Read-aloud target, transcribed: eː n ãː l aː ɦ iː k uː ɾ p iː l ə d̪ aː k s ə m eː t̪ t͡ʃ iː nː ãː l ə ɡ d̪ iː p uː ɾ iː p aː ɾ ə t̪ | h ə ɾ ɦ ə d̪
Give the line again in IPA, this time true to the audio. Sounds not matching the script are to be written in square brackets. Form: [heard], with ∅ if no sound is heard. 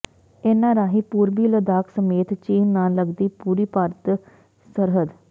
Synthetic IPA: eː n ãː [ɾ] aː ɦ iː [p] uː ɾ [b] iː l ə d̪ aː k s ə m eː t̪ t͡ʃ iː nː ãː l ə ɡ d̪ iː p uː ɾ iː p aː ɾ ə t̪ | [s] ə ɾ ɦ ə d̪